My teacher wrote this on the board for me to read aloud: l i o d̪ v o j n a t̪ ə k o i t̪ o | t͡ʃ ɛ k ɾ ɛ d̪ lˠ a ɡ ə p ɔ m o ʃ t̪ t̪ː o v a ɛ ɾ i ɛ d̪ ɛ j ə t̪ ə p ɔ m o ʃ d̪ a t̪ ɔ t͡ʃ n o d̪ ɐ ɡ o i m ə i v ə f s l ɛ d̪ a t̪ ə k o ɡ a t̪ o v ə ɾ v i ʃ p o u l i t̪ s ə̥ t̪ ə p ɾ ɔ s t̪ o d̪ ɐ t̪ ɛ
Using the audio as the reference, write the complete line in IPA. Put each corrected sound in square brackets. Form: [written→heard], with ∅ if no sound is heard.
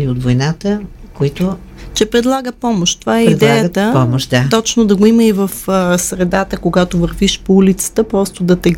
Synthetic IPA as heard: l i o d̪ v o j n a t̪ ə k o i t̪ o | t͡ʃ ɛ [k→p] ɾ ɛ d̪ lˠ a ɡ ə p ɔ m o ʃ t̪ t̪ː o v a ɛ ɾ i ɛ d̪ ɛ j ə t̪ ə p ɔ m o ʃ d̪ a t̪ ɔ t͡ʃ n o d̪ ɐ ɡ o i m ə i v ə f s [l→ɾ] ɛ d̪ a t̪ ə k o ɡ a t̪ o v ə ɾ v i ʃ p o u l i t̪ s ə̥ t̪ ə p ɾ ɔ s t̪ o d̪ ɐ t̪ ɛ